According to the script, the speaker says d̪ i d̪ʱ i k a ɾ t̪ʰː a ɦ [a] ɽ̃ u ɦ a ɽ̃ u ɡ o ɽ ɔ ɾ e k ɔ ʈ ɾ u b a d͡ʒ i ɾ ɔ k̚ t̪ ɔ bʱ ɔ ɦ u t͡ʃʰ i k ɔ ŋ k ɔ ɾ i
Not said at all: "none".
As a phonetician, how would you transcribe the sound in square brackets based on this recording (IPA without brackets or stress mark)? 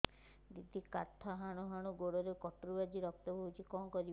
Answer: a